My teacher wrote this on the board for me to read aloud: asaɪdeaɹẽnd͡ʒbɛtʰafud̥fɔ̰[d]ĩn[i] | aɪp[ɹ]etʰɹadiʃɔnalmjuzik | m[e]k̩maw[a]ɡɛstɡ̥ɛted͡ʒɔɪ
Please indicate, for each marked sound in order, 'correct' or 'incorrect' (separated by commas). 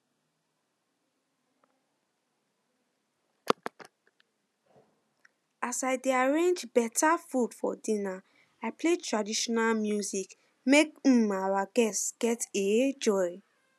correct, incorrect, incorrect, correct, correct